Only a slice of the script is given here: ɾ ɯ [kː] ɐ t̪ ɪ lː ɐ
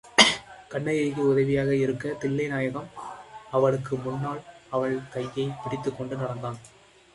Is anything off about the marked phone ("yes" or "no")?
no